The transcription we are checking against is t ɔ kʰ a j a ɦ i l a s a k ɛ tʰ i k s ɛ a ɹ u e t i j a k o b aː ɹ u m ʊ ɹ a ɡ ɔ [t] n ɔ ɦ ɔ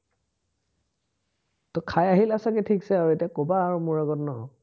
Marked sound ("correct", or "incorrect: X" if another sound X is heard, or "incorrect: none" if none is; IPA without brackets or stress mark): correct